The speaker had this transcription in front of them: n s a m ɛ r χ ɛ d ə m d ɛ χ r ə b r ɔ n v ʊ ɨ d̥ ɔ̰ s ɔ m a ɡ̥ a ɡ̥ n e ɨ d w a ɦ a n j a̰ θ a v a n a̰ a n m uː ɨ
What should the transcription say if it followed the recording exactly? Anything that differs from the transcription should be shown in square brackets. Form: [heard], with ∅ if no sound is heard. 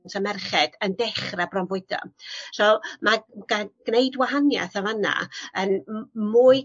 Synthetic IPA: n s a m ɛ r χ ɛ d ə [n] d ɛ χ r [a] b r ɔ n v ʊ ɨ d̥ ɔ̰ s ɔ m a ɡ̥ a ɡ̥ n e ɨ d w a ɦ a n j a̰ θ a v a n a̰ [ə] n m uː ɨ